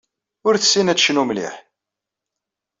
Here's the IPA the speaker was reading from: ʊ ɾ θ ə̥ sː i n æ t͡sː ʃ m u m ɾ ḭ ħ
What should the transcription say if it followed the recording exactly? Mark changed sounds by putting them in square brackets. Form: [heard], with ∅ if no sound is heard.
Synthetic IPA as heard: ʊ ɾ θ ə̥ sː i n æ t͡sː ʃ [n] u m [l] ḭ ħ